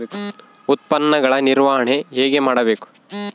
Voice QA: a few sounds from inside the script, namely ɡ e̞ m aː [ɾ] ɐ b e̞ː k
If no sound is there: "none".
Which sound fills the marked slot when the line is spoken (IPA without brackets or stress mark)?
ɽ